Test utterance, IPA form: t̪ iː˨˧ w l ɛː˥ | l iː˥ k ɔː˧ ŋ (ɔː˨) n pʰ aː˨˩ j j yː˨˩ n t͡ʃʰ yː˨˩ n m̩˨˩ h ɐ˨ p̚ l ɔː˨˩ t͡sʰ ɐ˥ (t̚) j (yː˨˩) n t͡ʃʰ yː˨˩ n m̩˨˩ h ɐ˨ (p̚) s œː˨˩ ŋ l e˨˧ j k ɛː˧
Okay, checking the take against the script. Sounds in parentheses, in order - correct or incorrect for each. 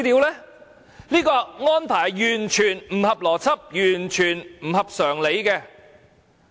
incorrect: ɔː˥, incorrect: p̚, correct, correct

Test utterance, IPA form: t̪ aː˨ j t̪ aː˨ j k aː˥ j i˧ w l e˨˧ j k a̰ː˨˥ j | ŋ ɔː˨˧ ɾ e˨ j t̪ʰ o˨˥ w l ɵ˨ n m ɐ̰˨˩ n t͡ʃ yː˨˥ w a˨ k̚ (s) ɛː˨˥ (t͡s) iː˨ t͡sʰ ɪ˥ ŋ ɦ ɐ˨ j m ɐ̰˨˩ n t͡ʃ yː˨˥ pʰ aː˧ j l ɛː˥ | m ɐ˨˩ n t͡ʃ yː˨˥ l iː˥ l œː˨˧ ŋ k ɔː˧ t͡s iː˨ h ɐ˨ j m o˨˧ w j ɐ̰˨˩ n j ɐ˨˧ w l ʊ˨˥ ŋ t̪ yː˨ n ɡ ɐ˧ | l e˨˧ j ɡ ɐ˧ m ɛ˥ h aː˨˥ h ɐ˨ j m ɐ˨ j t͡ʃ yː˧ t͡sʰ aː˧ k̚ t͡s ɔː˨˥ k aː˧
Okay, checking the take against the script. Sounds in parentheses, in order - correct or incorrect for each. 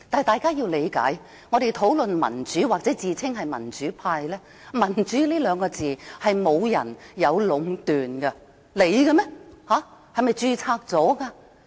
incorrect: t͡s, correct

